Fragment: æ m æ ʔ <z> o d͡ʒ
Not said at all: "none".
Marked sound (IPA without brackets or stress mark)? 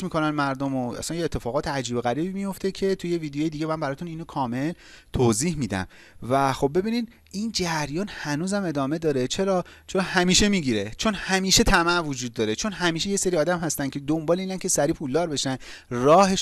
v